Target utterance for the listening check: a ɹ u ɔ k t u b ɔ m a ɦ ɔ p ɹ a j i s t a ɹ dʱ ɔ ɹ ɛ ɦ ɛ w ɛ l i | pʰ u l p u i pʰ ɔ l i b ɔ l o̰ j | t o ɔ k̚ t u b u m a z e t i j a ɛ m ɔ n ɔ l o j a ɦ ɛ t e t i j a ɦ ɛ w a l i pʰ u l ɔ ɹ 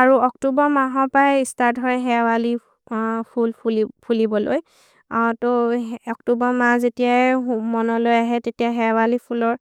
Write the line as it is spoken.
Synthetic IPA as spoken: a ɹ u ɔ k t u b ɔ m a ɦ ɔ p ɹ a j i s t a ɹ dʱ ɔ ɹ ɛ ɦ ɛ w a l i | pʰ u l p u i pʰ u l i b ɔ l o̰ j | t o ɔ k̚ t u b ɔ m a z e t i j a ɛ m ɔ n ɔ l o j a ɦ ɛ t e t i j a ɦ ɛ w a l i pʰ u l ɔ ɹ